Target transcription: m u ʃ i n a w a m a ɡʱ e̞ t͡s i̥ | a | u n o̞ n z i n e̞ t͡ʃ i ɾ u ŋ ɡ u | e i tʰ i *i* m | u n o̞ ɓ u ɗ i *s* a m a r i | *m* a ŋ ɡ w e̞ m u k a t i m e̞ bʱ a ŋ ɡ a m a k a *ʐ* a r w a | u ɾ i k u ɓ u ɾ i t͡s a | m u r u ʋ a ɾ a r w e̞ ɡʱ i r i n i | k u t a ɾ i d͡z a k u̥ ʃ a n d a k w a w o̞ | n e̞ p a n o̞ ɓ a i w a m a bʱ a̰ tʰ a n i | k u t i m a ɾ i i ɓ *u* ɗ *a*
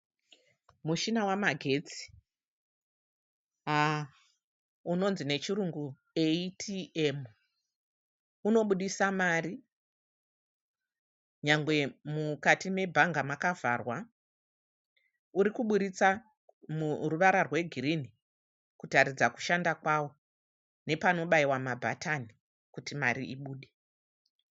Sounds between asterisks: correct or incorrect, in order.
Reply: incorrect: e, correct, incorrect: ɲ, incorrect: v, incorrect: uː, incorrect: e

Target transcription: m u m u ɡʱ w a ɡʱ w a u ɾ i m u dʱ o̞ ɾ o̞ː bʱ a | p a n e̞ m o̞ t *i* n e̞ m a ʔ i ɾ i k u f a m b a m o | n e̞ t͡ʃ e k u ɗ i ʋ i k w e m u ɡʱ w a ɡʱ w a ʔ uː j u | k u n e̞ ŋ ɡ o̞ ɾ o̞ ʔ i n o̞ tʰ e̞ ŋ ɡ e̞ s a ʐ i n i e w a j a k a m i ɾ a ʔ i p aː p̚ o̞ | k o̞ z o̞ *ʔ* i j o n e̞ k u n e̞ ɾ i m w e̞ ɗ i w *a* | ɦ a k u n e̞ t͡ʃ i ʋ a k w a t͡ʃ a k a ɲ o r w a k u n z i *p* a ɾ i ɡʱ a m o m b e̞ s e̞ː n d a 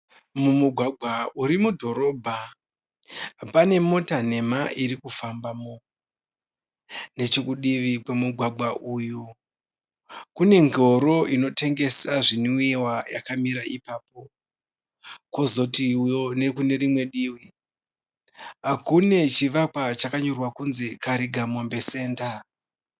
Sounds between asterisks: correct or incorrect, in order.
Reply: incorrect: a, incorrect: t, incorrect: i, incorrect: k

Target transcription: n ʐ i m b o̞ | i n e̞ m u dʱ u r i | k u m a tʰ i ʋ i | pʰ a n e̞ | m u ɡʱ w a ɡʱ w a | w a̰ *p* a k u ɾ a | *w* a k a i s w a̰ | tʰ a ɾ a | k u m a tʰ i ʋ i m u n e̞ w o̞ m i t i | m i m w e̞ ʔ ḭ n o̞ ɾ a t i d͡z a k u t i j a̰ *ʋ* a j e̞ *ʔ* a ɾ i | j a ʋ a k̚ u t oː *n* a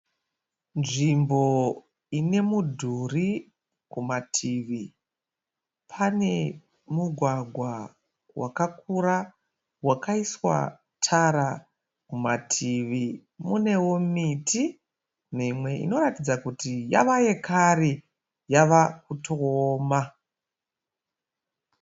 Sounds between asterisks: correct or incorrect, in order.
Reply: incorrect: k, correct, correct, incorrect: k, incorrect: m

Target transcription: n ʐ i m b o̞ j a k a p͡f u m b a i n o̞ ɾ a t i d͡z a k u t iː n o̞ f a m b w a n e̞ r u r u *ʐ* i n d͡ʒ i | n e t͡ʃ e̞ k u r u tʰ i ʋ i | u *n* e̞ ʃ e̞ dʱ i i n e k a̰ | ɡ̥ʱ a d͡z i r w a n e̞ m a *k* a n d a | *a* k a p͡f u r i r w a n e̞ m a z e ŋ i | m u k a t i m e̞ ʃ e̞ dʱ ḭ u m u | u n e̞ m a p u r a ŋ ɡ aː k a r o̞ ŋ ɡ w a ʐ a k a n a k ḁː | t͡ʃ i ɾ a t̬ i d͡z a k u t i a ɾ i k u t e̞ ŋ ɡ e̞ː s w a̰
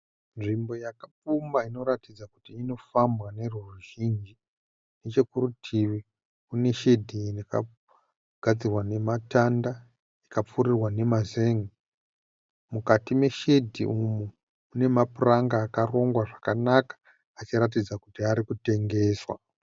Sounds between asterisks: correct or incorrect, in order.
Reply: incorrect: ʒ, correct, incorrect: t, incorrect: i

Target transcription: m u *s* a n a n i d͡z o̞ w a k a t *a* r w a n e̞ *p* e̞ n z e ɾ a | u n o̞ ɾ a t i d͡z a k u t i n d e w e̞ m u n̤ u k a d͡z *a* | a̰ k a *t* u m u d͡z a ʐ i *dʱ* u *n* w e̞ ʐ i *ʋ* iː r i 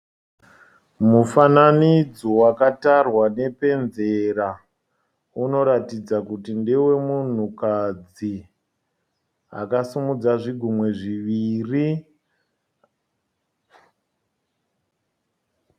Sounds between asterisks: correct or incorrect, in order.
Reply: incorrect: f, correct, correct, incorrect: i, incorrect: s, incorrect: ɡʱ, incorrect: m, correct

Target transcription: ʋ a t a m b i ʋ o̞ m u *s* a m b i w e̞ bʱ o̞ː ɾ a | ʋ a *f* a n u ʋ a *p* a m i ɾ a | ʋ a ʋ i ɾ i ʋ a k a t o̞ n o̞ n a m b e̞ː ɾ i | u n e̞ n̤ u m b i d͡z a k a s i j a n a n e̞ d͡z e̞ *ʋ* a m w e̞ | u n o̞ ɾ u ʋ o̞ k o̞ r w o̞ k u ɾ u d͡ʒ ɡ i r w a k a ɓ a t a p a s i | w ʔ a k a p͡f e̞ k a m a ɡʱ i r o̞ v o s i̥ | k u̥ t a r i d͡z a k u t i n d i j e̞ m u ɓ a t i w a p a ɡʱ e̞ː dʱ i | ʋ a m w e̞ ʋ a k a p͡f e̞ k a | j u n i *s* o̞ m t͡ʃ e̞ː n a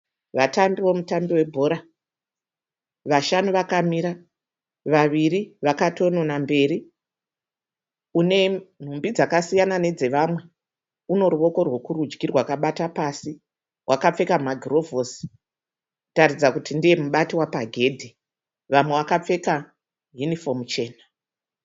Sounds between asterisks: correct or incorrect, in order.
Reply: incorrect: t, incorrect: ʃ, incorrect: k, correct, incorrect: f

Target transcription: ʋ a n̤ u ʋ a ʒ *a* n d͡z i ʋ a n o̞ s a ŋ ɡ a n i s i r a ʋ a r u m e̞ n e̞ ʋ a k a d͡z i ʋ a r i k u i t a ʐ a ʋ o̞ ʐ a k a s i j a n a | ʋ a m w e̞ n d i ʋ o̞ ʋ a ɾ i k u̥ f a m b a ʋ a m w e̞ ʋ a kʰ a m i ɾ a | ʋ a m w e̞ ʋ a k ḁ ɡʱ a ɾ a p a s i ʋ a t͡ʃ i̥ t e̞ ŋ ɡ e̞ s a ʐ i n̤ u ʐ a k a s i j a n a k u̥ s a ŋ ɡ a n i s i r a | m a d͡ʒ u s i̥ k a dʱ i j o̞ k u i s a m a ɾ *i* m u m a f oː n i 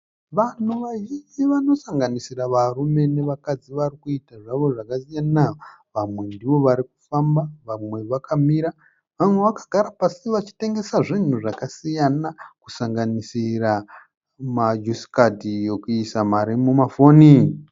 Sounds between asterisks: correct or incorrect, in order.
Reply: incorrect: i, correct

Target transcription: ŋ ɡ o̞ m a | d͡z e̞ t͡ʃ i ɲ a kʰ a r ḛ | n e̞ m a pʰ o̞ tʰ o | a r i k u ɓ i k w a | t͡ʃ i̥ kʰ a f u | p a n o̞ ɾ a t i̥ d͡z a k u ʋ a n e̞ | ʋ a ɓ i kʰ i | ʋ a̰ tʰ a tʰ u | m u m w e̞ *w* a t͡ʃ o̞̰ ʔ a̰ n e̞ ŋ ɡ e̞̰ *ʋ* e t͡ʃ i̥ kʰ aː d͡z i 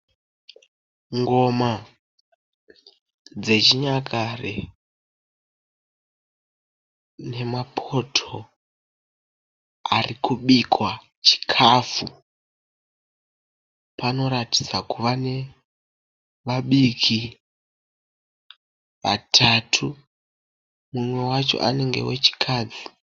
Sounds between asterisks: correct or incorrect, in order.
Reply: correct, incorrect: w

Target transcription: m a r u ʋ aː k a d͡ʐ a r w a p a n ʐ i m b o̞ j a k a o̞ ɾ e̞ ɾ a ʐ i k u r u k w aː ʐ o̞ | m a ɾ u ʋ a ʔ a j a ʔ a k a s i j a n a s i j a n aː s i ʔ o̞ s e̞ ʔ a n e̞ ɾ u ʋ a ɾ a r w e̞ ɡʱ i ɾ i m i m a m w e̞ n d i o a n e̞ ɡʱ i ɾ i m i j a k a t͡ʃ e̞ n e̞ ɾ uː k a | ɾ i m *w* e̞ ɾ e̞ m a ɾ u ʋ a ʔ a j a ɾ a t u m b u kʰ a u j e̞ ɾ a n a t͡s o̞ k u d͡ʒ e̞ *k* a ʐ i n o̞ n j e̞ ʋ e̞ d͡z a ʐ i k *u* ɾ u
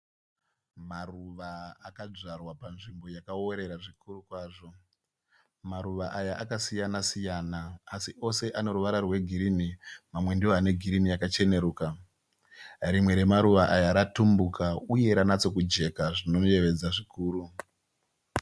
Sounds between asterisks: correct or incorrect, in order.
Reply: correct, correct, incorrect: uː

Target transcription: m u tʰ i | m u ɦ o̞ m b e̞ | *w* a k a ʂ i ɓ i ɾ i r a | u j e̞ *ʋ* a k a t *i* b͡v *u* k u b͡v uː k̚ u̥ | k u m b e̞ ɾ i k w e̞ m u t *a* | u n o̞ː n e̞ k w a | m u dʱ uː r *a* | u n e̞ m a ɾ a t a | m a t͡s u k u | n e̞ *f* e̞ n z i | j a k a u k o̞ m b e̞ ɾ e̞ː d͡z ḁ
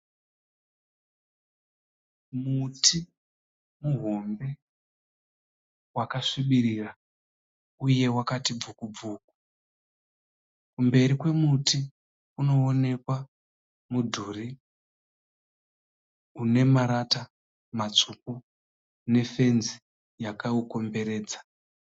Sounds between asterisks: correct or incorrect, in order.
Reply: correct, incorrect: w, correct, correct, incorrect: i, incorrect: i, correct

